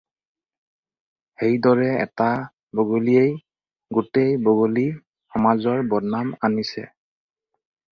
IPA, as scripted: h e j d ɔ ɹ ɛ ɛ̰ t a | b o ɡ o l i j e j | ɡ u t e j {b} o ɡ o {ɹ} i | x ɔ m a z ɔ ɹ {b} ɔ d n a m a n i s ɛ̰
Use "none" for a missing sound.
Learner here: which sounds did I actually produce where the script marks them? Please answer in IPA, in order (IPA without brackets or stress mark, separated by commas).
b, l, b